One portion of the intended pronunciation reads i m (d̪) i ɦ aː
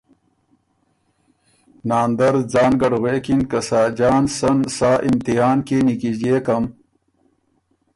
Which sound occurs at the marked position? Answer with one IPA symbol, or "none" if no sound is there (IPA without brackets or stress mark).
t̪